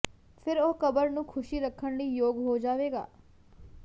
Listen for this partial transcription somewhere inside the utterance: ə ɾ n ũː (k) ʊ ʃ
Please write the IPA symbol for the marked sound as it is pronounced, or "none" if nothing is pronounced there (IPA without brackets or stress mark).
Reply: kʰ